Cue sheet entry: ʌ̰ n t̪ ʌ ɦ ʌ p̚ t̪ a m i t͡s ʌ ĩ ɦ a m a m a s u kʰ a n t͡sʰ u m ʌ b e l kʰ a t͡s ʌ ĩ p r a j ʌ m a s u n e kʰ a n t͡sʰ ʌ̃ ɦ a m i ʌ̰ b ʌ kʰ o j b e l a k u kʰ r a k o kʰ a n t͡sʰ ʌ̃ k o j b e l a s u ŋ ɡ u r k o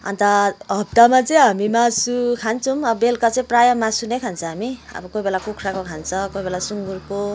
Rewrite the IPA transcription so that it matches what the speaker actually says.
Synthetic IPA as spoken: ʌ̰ n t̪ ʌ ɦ ʌ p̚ t̪ a m a t͡s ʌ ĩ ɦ a m i m a s u kʰ a n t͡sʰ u m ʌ b e l k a t͡s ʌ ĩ p r a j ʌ m a s u n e kʰ a n t͡sʰ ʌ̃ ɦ a m i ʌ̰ b ʌ k o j b e l a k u kʰ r a k o kʰ a n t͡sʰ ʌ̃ k o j b e l a s u ŋ ɡ u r k o